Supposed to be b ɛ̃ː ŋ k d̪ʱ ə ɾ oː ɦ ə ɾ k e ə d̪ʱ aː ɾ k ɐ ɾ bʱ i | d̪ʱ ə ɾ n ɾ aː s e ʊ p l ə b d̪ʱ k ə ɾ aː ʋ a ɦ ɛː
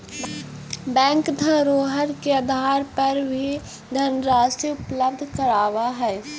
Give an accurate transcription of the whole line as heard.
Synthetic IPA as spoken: b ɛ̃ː ŋ k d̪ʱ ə ɾ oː ɦ ə ɾ k e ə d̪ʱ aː ɾ p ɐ ɾ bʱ i | d̪ʱ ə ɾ n ɾ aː s e ʊ p l ə b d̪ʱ k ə ɾ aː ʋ a ɦ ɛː